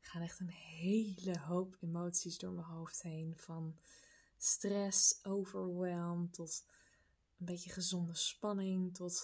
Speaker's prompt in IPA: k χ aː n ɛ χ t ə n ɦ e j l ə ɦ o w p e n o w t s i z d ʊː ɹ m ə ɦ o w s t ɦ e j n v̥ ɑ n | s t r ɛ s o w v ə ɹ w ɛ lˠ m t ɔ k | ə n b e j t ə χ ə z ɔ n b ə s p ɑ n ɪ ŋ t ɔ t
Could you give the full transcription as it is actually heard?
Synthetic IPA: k χ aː n ɛ χ t ə n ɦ e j l ə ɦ o w p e m o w t s i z d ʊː ɹ m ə ɦ o w f t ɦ e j n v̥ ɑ n | s t r ɛ s o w v ə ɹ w ɛ lˠ m t ɔ t | ə n b e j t ə χ ə z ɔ n d ə s p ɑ n ɪ ŋ t ɔ t